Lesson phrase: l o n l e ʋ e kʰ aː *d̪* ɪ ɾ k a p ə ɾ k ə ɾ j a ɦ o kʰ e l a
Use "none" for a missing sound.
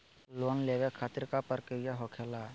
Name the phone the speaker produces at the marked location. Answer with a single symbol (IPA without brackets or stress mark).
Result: t̪